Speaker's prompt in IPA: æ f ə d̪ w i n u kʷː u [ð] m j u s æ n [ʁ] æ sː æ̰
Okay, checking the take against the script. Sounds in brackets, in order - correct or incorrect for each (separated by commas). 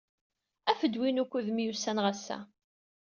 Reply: correct, correct